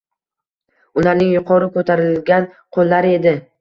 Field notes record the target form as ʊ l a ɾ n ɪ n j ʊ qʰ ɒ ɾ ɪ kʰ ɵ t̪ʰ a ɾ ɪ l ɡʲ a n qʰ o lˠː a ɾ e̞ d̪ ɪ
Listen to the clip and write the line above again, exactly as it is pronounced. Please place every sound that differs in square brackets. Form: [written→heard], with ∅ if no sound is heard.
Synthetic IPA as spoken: ʊ l a ɾ n ɪ [n→ŋ] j ʊ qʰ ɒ ɾ ɪ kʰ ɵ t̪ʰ a ɾ ɪ l ɡʲ a n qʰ o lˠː a ɾ e̞ d̪ ɪ